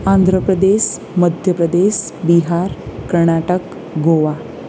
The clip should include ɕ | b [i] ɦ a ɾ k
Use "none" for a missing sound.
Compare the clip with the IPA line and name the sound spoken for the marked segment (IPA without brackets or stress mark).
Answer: i